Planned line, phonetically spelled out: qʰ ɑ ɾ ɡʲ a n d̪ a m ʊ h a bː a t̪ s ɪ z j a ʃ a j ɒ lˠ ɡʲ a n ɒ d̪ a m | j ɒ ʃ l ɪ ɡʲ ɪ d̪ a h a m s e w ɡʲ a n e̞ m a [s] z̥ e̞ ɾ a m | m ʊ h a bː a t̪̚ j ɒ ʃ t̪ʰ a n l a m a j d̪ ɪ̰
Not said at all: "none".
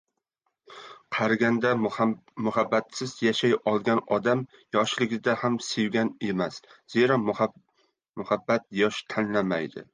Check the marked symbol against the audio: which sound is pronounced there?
s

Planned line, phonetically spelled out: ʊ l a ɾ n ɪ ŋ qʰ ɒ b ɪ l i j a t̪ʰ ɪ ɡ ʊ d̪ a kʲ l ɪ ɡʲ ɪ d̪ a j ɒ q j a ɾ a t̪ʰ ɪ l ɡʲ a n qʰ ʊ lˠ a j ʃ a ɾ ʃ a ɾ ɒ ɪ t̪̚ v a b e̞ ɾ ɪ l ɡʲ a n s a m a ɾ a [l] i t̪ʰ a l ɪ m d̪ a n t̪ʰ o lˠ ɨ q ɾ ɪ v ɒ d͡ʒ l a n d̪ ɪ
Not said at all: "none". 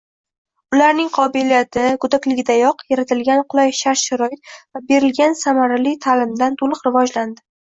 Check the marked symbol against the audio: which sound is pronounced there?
l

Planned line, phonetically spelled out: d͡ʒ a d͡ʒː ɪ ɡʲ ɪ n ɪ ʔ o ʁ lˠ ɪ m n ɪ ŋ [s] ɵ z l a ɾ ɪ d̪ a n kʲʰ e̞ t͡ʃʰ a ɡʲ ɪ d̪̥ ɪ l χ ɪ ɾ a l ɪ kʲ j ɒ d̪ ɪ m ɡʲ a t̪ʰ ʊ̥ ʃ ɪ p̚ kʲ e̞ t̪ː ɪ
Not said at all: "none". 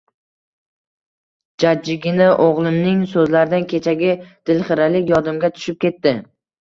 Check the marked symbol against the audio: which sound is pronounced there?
s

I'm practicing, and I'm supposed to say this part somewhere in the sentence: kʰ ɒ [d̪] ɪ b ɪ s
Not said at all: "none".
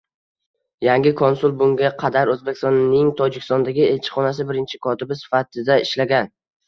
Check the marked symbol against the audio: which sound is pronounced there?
t̪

